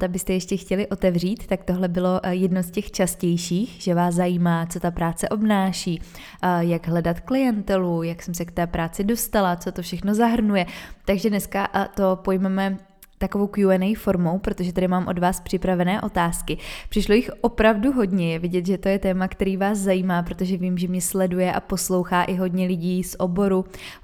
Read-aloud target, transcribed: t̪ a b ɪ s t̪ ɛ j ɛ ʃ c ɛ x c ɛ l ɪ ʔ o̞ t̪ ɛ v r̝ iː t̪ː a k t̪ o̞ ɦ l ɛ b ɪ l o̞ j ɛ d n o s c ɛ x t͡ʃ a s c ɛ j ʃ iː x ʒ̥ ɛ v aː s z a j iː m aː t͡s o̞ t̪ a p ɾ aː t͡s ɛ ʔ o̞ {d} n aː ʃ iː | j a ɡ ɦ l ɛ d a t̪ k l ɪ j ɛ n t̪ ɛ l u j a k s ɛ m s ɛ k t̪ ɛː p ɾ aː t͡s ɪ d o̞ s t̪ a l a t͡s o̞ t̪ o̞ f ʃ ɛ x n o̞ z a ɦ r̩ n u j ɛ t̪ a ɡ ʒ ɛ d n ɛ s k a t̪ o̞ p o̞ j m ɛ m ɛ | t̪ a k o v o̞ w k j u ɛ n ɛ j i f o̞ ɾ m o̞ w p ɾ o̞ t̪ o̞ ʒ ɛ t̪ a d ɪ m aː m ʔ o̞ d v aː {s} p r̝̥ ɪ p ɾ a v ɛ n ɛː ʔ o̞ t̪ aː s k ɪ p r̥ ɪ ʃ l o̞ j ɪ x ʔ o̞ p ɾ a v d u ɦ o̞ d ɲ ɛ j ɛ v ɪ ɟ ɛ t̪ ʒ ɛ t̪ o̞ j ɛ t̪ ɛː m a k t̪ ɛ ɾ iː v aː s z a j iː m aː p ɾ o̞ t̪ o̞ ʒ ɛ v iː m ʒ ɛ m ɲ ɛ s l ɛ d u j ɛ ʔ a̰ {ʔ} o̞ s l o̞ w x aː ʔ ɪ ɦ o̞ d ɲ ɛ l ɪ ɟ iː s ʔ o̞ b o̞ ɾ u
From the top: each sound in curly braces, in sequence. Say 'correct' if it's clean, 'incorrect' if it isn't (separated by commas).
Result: incorrect, correct, incorrect